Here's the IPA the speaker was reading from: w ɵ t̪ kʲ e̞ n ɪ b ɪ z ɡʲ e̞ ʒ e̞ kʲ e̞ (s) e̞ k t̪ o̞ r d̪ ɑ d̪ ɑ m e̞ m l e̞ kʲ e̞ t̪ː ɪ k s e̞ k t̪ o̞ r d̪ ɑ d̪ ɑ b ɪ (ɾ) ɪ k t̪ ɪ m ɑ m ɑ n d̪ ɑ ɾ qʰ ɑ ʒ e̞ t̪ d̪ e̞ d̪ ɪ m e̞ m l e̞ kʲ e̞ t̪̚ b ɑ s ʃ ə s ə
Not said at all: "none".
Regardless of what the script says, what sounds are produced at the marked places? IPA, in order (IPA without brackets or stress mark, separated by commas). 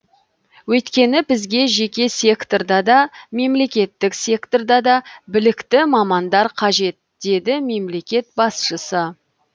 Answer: s, l